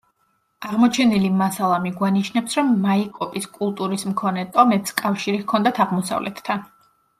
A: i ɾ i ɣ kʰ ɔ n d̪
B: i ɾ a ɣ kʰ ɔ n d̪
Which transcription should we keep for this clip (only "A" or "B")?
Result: A